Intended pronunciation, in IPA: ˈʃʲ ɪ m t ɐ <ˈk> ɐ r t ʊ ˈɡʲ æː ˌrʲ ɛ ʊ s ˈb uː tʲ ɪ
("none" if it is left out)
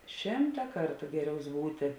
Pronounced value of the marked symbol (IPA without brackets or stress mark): k